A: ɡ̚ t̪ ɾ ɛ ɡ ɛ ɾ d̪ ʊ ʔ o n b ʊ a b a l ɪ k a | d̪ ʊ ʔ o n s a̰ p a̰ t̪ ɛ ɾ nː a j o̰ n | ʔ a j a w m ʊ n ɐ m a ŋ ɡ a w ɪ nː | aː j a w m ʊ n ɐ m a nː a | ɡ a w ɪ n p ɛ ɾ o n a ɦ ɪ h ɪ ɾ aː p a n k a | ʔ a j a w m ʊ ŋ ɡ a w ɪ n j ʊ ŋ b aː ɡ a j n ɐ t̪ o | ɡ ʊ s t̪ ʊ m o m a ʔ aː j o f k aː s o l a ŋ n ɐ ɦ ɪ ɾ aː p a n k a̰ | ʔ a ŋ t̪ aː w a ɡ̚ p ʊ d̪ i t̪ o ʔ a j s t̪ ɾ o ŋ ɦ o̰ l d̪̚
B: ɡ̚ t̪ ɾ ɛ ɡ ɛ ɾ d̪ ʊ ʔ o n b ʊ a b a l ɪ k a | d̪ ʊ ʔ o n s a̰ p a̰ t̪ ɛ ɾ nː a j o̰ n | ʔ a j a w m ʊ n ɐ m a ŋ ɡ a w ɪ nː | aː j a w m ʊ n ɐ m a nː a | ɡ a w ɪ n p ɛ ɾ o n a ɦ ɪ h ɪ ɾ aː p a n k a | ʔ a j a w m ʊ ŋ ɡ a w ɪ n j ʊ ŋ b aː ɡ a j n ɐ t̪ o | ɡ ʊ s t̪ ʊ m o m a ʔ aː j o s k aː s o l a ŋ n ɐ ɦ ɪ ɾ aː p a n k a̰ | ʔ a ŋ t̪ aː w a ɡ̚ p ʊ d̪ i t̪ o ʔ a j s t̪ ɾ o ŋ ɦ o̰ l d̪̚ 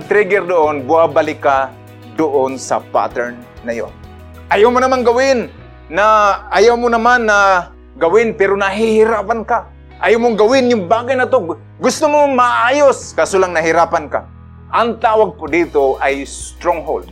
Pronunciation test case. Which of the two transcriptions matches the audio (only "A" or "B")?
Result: B